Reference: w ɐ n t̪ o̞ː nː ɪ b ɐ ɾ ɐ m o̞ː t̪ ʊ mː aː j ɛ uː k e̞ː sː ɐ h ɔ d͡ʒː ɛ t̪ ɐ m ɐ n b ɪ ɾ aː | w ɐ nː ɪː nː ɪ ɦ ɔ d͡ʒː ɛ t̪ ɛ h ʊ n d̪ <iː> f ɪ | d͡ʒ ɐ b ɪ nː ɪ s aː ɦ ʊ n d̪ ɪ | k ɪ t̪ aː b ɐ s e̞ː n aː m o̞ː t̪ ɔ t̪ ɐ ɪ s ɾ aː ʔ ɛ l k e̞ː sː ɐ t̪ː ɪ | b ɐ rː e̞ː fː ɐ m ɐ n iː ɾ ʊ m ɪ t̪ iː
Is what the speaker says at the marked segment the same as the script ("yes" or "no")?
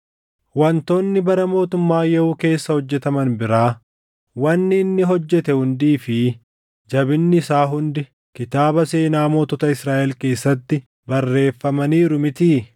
yes